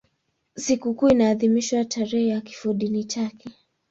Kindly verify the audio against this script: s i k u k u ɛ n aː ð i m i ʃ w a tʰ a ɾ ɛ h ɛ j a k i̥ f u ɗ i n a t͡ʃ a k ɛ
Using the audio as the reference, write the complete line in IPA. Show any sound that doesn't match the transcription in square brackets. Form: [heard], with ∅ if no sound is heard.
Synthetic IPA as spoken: s i k u k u [i] n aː ð i m i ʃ w a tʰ a ɾ ɛ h ɛ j a k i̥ f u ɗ i n [i] t͡ʃ a k ɛ